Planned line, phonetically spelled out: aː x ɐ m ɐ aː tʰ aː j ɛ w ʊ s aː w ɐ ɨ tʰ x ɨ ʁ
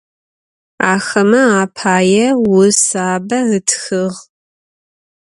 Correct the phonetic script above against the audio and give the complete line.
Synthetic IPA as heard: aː x ɐ m ɐ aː pʰ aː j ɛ w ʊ s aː b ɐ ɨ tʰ x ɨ ʁ